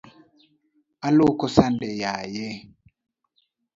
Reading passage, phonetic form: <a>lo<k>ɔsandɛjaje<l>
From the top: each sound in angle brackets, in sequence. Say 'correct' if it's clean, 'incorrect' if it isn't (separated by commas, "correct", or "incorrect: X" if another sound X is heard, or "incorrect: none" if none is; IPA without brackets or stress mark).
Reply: correct, correct, incorrect: none